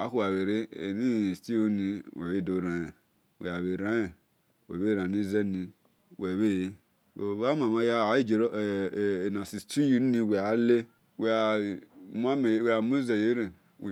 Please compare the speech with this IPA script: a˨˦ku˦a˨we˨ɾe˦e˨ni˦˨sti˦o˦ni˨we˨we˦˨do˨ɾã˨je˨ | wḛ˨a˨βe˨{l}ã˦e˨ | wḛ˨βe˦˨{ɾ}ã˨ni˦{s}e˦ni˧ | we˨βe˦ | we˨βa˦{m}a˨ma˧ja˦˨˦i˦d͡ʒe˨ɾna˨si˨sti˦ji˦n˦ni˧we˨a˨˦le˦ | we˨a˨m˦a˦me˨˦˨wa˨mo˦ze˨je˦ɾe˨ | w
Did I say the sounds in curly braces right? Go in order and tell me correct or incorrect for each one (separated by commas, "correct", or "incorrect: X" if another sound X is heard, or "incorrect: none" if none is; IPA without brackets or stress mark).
incorrect: ɾ, correct, incorrect: z, correct